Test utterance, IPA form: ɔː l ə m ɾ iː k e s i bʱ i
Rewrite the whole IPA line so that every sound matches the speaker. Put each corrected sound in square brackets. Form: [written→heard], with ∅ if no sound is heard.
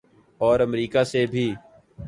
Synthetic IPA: ɔː [l→ɾ] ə m ɾ iː k [e→a] s [i→e] bʱ [i→iː]